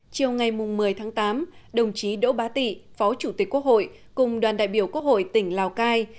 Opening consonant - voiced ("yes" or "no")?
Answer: no